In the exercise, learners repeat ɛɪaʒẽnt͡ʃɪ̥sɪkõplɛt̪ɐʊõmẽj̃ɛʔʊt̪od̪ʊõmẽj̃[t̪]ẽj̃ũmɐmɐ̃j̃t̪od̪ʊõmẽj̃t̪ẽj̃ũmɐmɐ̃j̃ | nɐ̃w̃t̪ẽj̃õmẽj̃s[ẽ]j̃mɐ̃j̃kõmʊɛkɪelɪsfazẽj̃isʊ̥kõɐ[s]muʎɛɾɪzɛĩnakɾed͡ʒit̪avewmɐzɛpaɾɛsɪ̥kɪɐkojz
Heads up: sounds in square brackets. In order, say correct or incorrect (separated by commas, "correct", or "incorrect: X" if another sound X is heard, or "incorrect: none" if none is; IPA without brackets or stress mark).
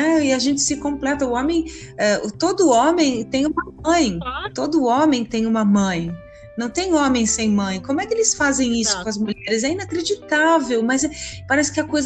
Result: correct, correct, incorrect: z